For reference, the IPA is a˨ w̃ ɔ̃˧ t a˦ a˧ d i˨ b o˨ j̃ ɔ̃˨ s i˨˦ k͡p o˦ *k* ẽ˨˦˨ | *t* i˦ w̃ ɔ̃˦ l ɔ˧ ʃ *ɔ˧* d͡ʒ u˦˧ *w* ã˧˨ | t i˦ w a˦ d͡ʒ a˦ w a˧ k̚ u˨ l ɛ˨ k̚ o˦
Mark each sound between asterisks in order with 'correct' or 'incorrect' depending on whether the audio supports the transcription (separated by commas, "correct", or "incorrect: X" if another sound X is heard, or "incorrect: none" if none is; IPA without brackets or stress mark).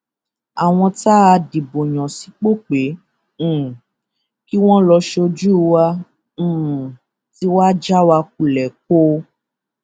incorrect: k͡p, incorrect: k, incorrect: o˧, correct